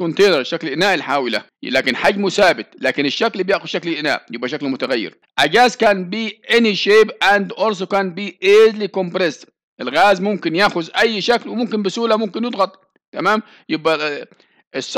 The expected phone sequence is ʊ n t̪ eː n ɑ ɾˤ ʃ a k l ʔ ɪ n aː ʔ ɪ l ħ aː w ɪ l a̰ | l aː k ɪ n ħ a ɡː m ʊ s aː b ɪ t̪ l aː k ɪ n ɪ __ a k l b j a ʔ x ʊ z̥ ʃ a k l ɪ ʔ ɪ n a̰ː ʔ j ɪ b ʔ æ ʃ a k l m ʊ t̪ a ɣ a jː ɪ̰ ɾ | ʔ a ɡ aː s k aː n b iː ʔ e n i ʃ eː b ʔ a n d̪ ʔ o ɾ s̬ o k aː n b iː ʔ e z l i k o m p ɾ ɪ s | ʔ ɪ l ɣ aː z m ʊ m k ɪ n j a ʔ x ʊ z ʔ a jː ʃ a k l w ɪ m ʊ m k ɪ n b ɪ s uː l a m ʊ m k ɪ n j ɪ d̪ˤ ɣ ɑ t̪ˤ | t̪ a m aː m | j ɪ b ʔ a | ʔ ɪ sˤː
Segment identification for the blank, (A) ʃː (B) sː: A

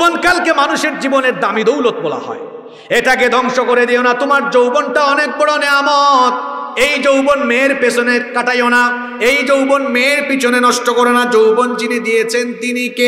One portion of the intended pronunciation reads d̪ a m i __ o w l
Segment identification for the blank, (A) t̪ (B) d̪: B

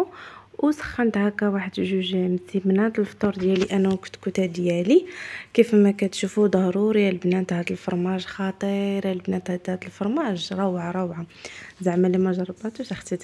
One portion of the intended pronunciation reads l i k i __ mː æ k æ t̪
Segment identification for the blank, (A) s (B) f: B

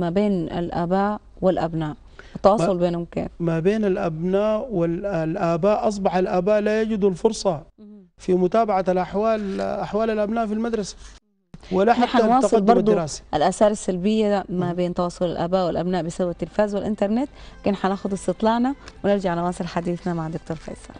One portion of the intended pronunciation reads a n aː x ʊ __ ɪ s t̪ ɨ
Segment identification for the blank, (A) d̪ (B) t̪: A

